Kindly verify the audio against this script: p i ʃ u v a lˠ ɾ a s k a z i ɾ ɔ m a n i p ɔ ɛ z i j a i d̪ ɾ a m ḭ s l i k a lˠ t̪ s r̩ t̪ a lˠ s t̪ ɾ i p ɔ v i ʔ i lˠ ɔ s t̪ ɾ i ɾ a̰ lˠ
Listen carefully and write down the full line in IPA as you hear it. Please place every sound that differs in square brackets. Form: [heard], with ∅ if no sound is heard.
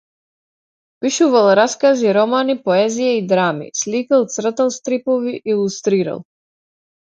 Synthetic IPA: p i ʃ u v a lˠ ɾ a s k a z i ɾ ɔ m a n i p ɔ ɛ z i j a i d̪ ɾ a m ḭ s l i k a lˠ t̪ s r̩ t̪ a lˠ s t̪ ɾ i p ɔ v i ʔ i lˠ [u] s t̪ ɾ i ɾ a̰ lˠ